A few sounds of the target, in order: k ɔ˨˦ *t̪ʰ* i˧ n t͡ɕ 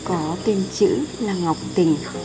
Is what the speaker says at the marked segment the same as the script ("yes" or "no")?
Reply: no